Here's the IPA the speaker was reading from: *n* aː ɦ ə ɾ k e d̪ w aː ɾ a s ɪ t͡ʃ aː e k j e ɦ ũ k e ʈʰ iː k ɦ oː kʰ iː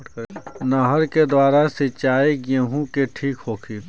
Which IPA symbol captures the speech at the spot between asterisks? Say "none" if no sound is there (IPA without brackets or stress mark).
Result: n